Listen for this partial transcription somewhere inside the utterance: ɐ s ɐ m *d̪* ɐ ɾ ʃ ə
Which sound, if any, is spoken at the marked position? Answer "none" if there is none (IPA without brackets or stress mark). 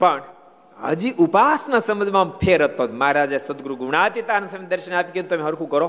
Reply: d̪